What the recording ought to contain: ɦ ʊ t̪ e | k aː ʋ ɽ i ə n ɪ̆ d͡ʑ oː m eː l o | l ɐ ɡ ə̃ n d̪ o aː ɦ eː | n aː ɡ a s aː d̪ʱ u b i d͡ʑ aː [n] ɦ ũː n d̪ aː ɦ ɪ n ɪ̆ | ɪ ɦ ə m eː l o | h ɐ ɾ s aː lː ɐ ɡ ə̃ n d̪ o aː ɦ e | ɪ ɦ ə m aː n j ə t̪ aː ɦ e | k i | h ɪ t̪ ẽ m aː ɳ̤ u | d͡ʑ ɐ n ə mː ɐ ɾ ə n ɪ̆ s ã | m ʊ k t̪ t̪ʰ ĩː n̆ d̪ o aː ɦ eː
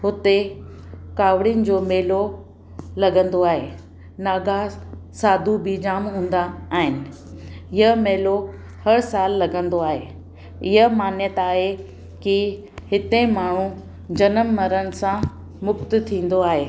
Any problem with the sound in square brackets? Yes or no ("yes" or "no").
yes